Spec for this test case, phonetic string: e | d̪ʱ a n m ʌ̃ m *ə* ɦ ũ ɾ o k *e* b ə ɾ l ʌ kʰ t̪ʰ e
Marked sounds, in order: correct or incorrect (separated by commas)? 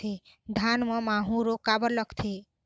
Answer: incorrect, incorrect